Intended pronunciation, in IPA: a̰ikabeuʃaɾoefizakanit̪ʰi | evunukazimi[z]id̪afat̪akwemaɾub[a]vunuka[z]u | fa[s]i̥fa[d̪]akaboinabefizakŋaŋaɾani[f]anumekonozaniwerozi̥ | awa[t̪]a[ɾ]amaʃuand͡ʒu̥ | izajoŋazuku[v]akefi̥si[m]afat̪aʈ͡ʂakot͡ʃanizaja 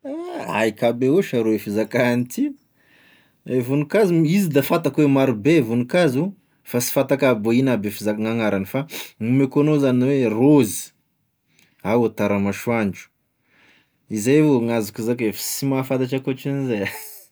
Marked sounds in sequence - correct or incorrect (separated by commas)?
correct, incorrect, correct, correct, incorrect, correct, correct, correct, incorrect, correct